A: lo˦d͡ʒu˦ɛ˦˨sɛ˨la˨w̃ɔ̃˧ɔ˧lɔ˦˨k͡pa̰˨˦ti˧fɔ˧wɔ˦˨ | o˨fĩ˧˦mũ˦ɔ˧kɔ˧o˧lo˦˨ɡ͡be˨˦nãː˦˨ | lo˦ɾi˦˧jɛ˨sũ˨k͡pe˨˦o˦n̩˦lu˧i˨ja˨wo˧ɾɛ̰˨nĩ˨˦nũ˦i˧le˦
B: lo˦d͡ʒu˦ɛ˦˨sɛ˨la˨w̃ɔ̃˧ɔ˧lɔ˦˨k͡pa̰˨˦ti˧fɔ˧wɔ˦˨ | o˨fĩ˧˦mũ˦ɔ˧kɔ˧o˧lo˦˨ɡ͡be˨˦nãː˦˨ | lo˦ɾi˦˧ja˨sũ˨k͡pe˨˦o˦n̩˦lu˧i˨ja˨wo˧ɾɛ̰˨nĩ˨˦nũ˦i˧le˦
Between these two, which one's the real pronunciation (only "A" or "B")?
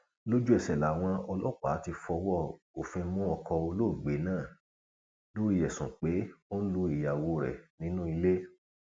A